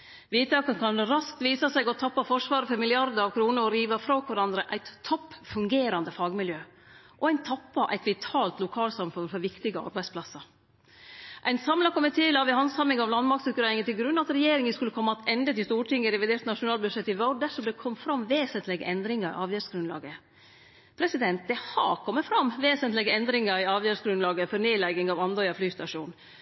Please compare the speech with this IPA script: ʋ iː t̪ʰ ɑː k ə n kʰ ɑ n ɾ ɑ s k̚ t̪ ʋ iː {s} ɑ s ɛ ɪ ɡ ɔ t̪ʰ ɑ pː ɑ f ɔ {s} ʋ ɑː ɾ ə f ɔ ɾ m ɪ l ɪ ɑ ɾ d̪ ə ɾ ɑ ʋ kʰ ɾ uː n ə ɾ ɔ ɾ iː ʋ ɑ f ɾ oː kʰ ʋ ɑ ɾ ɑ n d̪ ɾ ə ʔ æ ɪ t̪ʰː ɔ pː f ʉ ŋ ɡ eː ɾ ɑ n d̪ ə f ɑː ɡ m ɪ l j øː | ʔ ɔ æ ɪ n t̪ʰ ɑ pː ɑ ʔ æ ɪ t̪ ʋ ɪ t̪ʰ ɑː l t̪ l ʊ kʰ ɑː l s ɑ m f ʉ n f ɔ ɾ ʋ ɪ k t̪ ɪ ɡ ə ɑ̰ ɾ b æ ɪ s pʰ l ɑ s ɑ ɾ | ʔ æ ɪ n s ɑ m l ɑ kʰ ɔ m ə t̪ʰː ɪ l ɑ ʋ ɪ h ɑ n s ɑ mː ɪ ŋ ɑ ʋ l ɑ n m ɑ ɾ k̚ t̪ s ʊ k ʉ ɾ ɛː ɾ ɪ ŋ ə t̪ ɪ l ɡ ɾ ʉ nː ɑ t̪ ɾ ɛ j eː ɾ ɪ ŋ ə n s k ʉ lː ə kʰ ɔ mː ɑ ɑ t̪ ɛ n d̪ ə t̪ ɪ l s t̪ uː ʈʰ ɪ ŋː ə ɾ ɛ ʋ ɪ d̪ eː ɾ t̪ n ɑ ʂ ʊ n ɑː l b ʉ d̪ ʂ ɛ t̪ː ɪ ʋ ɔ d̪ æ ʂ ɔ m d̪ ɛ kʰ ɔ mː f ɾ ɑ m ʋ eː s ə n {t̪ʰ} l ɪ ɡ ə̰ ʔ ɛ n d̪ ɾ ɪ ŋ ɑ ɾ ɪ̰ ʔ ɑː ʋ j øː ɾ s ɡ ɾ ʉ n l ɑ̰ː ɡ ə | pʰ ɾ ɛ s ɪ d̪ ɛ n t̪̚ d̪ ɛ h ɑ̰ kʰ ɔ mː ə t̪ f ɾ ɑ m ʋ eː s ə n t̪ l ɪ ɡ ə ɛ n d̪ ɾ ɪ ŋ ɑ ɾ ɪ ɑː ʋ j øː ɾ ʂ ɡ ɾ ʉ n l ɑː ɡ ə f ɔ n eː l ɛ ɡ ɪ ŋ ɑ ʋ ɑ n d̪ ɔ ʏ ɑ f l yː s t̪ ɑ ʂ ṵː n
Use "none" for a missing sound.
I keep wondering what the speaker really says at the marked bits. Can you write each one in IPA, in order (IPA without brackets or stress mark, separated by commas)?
s, ʂ, t̪